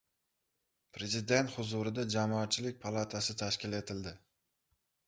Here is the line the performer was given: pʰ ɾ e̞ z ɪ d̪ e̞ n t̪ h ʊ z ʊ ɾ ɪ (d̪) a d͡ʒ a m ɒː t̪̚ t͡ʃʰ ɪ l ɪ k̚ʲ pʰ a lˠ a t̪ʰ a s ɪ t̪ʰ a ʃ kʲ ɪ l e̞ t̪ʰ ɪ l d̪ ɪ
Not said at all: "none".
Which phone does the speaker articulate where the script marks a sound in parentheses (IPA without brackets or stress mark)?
d̪